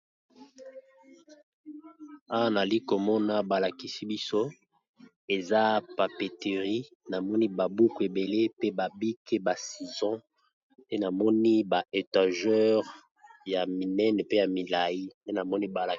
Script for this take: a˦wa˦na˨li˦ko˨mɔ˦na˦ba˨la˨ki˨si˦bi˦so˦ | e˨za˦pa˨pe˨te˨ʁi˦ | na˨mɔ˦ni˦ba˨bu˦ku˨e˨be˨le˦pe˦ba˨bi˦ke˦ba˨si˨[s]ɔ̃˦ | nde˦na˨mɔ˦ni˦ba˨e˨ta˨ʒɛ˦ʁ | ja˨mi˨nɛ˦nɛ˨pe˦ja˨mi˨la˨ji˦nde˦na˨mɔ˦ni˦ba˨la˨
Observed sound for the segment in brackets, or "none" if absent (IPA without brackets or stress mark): z